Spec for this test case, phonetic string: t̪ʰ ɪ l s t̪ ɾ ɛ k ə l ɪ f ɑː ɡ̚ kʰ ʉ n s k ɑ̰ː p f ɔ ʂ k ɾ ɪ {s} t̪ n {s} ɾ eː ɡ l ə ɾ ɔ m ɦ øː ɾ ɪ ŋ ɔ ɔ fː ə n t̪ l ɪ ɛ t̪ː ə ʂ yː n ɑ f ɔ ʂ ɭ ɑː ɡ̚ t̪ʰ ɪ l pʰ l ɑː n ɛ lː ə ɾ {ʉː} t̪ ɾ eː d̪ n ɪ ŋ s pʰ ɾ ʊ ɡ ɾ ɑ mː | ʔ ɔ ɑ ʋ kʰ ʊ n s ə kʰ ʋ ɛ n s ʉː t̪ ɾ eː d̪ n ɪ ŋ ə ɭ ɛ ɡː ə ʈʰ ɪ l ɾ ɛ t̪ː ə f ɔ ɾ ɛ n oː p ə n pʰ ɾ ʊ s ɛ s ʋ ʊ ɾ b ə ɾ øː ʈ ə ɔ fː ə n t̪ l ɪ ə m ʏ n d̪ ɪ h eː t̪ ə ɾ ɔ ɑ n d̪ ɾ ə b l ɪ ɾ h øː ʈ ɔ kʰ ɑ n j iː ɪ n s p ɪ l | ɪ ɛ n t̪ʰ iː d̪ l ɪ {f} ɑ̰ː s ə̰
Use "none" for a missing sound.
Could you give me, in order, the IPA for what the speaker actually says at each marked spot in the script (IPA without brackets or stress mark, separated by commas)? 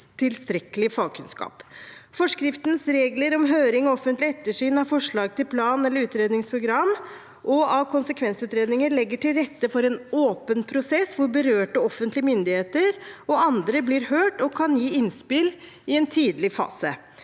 f, s, ʉː, f